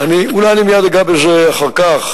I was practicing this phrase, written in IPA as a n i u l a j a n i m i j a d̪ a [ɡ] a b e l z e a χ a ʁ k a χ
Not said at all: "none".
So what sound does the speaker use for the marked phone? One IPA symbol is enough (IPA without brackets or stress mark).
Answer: ɡ